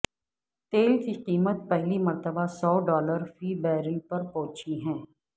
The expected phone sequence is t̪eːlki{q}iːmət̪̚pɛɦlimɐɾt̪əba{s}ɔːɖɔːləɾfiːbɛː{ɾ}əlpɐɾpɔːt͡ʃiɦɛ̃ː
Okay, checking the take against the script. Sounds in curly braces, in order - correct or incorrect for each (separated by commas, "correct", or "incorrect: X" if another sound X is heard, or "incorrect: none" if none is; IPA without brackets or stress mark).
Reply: correct, correct, correct